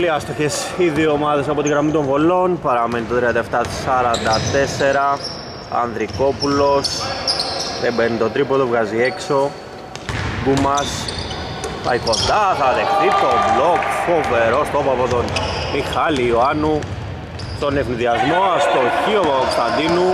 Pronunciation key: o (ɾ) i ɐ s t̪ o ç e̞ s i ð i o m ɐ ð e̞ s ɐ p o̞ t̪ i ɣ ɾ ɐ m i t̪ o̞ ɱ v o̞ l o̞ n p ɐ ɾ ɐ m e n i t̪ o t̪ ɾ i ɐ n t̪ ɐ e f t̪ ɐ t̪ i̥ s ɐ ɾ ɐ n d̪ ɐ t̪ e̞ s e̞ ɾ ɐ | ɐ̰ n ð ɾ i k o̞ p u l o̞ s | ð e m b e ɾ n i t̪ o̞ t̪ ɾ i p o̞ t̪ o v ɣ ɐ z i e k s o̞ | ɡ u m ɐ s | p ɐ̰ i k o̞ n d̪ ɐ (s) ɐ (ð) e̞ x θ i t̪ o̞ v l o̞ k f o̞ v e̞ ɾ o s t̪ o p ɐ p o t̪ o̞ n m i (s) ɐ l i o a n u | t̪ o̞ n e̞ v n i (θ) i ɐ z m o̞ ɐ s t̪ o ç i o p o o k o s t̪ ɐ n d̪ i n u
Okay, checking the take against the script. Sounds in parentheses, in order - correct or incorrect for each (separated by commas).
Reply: incorrect, incorrect, correct, incorrect, incorrect